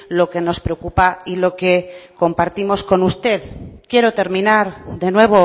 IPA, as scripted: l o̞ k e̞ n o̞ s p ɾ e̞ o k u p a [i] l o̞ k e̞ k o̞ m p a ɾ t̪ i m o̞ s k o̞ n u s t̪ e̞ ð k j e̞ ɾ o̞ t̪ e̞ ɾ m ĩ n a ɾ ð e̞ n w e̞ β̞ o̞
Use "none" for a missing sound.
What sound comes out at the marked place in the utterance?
i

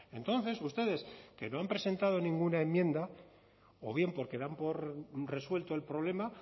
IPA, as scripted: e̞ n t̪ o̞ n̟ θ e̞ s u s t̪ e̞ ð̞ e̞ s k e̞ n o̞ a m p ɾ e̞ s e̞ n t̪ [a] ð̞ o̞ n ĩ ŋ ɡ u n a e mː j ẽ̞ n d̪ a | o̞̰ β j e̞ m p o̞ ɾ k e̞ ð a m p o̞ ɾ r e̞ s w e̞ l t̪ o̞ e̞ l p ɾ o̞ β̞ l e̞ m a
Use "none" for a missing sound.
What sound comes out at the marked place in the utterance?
a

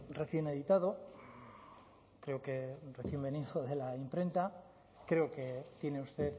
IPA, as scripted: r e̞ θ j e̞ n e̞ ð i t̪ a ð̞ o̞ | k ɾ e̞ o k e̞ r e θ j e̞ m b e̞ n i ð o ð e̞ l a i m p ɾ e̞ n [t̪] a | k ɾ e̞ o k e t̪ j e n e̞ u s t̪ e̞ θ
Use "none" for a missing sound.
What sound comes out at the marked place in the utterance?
t̪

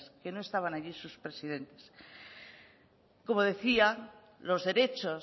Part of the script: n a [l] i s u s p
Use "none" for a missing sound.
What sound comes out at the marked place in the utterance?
ʎ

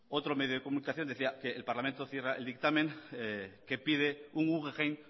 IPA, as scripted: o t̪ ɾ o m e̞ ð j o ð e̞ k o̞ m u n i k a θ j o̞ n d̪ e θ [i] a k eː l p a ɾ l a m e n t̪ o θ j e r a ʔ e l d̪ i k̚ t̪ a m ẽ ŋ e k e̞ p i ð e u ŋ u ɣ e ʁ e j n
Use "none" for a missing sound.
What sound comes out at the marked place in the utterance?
i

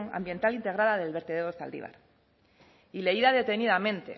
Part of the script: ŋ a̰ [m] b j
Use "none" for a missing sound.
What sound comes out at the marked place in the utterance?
m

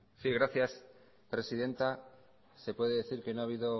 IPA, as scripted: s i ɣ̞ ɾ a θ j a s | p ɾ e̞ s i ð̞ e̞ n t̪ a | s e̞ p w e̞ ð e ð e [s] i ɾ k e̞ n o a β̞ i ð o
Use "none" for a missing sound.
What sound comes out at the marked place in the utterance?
θ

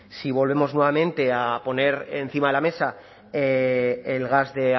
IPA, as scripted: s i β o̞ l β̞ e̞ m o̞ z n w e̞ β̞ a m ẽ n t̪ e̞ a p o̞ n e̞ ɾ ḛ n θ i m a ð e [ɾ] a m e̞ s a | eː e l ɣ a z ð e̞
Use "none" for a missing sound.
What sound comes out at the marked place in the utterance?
l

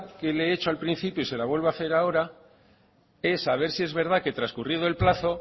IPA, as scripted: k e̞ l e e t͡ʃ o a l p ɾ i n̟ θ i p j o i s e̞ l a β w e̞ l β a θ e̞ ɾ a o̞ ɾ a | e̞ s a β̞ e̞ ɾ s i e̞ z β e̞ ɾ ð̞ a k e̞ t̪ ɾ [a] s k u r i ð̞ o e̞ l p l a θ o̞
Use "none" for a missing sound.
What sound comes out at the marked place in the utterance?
a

